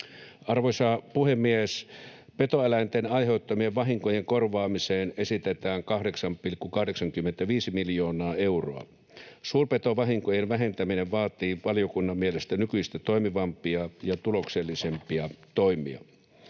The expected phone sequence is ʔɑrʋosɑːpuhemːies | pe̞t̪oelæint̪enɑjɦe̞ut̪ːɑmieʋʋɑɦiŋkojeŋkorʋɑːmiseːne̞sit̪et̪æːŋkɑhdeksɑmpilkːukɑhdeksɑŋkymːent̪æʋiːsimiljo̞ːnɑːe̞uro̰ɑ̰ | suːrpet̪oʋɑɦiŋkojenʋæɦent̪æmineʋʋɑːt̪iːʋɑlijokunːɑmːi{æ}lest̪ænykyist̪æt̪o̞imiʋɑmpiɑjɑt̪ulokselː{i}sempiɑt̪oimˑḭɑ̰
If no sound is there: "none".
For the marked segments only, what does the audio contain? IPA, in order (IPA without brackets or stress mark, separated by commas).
e, i